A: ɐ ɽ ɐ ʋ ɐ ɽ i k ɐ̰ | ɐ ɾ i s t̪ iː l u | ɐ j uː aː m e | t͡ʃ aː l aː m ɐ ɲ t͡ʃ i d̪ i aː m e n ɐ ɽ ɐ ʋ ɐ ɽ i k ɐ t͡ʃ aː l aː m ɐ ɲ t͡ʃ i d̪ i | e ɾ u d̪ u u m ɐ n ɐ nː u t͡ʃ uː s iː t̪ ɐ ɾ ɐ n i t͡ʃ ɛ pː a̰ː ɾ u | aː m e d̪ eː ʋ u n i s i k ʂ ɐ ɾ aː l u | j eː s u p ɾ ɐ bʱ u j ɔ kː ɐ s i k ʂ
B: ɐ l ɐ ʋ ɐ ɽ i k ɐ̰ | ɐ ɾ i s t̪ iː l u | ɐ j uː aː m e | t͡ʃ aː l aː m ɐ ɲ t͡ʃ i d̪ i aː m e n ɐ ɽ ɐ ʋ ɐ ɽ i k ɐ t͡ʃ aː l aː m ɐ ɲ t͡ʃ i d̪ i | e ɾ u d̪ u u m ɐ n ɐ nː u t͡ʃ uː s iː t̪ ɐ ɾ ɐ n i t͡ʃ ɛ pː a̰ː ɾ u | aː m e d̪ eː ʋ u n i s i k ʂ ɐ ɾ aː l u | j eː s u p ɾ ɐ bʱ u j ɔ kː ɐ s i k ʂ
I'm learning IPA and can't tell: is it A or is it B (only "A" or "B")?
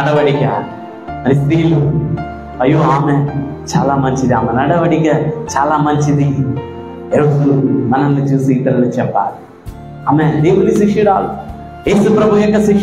A